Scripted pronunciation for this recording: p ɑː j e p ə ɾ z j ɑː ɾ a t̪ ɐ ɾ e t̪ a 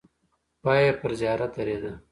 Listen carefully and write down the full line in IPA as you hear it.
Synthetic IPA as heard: p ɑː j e p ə ɾ z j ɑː ɾ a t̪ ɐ ɾ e d̪ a